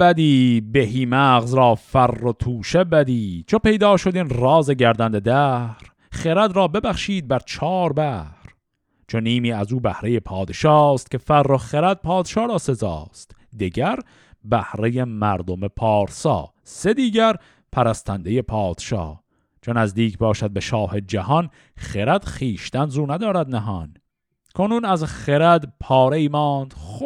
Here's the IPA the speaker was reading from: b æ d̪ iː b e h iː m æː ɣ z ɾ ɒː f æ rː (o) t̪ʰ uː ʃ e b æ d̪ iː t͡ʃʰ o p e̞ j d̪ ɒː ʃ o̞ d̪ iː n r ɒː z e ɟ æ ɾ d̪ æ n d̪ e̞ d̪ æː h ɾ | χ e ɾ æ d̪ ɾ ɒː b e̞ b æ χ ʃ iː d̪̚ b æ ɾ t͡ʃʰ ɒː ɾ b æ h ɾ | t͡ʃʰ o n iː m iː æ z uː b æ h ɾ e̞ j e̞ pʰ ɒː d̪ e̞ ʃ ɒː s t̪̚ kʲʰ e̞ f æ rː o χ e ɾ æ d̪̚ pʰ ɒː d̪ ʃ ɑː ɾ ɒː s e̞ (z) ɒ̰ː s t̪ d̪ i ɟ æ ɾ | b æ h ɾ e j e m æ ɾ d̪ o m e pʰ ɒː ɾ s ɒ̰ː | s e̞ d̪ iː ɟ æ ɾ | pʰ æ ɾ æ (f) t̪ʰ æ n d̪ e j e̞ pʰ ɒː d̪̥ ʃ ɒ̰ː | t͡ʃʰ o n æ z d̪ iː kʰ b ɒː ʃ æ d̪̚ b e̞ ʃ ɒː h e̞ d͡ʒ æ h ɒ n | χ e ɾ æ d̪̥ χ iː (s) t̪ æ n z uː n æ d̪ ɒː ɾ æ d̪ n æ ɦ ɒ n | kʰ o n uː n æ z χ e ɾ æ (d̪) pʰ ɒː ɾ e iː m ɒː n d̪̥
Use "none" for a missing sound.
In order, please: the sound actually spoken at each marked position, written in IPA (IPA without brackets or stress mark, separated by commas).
o, z, s, ʃ, d̪